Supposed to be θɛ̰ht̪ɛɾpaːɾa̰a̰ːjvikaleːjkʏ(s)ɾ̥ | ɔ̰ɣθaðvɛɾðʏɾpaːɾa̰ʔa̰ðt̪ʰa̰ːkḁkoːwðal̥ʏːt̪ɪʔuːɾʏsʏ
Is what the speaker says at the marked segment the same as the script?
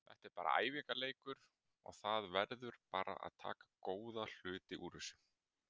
no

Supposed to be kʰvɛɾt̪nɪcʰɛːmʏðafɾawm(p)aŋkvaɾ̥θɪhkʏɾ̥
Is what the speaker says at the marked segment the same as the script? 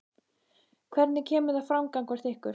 no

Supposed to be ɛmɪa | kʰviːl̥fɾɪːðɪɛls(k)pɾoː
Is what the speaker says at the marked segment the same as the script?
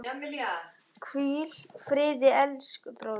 yes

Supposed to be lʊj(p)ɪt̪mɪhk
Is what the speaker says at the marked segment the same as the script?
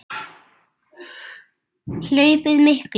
yes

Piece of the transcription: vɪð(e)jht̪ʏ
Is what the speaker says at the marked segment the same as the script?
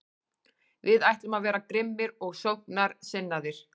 no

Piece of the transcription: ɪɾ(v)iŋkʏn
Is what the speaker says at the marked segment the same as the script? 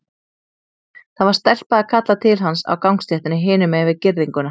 no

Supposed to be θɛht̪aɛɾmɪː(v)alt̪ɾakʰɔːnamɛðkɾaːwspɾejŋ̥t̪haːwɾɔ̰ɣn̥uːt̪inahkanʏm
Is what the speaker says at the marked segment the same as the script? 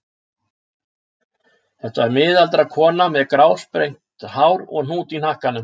no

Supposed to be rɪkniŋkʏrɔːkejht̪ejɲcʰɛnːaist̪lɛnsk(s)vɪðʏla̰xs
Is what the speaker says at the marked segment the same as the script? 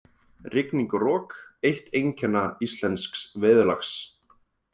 yes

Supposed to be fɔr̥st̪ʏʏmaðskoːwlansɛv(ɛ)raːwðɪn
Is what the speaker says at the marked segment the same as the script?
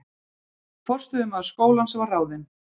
no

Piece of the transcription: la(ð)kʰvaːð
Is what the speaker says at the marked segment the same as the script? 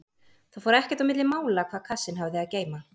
no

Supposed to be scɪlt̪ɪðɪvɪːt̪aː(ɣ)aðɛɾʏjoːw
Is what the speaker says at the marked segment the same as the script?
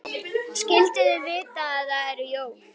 no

